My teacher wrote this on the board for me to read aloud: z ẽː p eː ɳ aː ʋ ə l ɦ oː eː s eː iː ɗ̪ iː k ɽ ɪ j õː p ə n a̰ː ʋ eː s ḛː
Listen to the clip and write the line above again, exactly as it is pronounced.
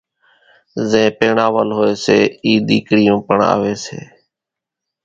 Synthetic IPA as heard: z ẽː p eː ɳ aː ʋ ə l ɦ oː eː s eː iː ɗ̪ iː k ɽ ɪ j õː p ə ɳ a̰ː ʋ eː s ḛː